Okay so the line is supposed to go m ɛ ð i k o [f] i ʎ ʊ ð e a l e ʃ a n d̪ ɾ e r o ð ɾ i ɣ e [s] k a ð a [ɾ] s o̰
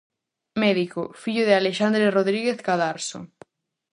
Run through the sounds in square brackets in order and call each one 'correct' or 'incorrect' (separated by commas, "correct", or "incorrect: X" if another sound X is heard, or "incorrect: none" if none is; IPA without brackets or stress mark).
correct, incorrect: θ, correct